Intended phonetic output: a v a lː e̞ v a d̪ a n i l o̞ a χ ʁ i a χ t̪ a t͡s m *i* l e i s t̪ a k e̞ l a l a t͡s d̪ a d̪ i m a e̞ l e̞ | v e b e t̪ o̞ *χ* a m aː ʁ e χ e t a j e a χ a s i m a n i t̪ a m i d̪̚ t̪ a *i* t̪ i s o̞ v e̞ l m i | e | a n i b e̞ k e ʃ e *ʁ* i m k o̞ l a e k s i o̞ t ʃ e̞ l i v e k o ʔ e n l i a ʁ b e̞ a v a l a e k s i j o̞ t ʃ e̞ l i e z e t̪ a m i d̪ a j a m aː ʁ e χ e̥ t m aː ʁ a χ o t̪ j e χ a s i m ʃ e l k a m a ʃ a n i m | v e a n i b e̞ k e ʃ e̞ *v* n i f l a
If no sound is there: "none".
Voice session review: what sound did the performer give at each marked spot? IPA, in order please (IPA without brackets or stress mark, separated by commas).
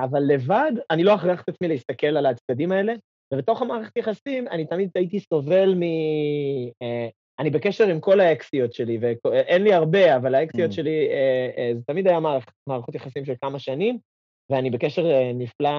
i, χ, i, ʁ, ʁ